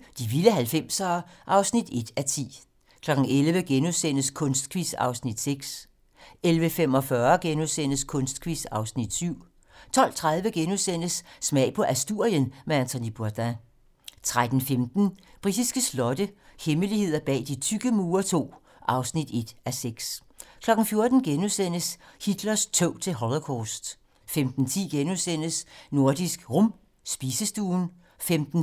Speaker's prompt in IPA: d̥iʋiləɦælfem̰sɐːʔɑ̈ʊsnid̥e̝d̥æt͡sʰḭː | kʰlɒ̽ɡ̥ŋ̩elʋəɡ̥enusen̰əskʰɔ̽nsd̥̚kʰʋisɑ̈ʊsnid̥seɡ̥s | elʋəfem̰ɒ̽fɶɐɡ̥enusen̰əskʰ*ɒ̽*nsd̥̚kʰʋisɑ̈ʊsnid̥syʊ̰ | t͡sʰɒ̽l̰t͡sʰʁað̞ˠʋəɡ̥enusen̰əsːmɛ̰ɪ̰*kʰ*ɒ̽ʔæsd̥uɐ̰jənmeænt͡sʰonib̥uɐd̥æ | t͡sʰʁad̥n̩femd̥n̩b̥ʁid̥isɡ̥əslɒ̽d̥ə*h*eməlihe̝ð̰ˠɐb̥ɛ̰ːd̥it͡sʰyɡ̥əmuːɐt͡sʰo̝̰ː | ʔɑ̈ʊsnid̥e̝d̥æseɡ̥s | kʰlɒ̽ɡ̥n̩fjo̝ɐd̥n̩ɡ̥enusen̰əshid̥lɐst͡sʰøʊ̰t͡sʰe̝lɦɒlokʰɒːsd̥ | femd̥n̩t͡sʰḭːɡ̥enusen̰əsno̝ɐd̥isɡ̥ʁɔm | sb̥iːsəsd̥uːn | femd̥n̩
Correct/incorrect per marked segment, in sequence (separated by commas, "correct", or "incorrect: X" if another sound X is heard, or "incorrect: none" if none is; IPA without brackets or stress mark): incorrect: ɔ̽, incorrect: pʰ, correct